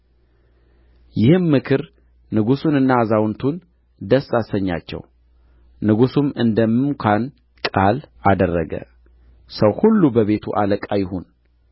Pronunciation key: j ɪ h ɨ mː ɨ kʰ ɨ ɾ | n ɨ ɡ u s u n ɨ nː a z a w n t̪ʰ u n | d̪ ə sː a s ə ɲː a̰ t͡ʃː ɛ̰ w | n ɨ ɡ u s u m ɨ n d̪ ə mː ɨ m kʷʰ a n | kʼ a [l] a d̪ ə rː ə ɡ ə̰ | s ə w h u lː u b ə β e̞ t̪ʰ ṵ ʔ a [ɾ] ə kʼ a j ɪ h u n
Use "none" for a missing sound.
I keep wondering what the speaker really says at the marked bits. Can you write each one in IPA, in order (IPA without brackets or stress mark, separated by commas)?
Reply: l, l